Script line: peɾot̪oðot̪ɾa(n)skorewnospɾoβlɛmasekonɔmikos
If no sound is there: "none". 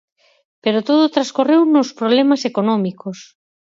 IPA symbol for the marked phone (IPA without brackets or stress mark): none